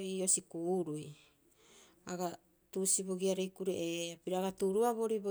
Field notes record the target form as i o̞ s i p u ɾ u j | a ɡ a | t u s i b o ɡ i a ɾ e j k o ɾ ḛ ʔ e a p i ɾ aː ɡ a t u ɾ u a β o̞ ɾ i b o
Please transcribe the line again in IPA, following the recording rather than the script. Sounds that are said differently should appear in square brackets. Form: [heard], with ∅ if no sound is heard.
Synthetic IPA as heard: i o̞ s i [k] u ɾ u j | a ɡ a | t u s i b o ɡ i a ɾ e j k [u] ɾ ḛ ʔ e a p i ɾ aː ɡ a t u ɾ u a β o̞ ɾ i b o